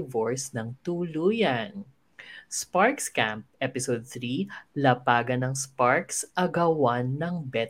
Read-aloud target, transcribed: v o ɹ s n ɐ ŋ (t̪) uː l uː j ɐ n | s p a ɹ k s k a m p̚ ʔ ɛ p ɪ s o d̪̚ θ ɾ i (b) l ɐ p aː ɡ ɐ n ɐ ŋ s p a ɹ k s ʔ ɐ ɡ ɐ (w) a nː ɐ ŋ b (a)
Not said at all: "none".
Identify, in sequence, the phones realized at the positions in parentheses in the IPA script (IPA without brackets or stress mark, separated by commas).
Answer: t̪, none, w, ɛ